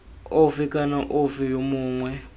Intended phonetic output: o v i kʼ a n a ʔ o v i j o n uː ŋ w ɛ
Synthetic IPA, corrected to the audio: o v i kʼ a n a ʔ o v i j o m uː ŋ w ɛ